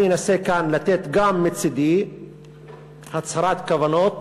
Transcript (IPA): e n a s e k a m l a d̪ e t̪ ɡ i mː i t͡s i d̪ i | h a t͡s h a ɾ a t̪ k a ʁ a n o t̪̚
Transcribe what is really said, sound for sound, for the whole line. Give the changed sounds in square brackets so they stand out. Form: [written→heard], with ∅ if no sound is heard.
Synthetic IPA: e n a s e k a [m→n] l a [d̪→t̪] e t̪ ɡ [i→a] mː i t͡s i d̪ i | h a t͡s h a ɾ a t̪ k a [ʁ→v] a n o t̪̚